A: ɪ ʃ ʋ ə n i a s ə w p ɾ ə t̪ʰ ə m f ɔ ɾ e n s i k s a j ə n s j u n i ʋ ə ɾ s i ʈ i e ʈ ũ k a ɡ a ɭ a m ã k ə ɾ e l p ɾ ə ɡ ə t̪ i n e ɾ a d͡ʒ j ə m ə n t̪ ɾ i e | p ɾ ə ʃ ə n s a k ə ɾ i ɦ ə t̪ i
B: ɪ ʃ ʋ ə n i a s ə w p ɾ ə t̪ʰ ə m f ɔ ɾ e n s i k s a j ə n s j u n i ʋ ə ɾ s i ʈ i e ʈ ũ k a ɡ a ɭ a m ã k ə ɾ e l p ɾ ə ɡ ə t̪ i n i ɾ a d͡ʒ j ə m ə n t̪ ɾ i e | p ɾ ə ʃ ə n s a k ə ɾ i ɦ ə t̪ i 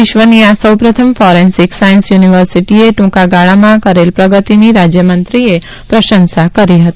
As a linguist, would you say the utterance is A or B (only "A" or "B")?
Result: B